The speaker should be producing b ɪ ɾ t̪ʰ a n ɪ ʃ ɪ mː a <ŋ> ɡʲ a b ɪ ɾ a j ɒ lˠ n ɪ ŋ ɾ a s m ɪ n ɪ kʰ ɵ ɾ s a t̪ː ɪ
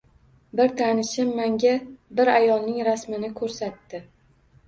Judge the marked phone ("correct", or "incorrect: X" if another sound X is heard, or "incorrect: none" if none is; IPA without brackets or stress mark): correct